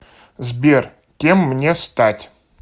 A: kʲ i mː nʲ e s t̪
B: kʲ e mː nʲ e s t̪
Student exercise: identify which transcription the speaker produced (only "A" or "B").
B